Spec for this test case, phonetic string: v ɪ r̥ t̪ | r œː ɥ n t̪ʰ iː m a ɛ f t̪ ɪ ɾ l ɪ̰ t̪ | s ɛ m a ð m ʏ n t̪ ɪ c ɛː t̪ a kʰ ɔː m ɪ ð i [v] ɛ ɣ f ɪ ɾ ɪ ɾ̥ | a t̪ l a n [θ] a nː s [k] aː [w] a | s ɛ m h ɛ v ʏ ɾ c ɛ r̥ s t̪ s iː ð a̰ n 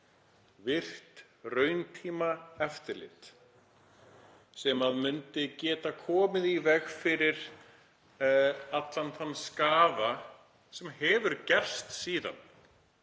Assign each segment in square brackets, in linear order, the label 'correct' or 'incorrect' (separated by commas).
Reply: correct, correct, correct, incorrect